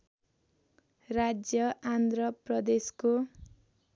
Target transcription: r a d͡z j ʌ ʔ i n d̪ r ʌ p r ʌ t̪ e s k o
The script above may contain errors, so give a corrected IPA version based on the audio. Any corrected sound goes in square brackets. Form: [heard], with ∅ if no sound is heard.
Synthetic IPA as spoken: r a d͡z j ʌ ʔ [a] n d̪ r ʌ p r ʌ [d̪] e s k o

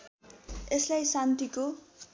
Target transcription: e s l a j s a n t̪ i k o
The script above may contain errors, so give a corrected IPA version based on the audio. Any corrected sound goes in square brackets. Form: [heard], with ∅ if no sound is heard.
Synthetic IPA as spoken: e s l a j s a n t̪ i k o

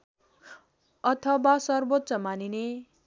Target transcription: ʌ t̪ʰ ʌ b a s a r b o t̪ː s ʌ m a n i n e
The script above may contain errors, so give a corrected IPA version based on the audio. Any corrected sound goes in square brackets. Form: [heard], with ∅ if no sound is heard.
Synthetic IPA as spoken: ʌ t̪ʰ ʌ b a s [ʌ] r b o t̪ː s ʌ m a n i n e

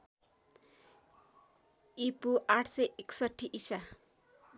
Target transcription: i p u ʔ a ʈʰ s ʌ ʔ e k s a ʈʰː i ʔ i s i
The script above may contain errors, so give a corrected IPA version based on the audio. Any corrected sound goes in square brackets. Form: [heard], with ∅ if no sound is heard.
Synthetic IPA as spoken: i p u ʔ a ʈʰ s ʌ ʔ e k s [ʌ] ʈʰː i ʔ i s [a]

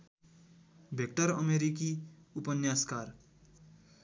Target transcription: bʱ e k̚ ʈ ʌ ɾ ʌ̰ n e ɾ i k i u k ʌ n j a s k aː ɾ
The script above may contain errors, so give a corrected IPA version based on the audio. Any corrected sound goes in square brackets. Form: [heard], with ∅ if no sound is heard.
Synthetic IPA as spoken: bʱ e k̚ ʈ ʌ ɾ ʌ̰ [m] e ɾ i k i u [p] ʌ n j a s k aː ɾ

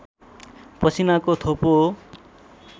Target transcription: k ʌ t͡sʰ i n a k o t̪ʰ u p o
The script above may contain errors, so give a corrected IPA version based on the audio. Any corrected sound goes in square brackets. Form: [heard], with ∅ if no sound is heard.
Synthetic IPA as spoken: [p] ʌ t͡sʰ i n a k o t̪ʰ [o] p o

